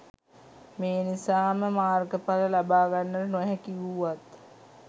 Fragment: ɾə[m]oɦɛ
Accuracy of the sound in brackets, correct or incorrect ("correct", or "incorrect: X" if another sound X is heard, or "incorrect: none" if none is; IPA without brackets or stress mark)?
incorrect: n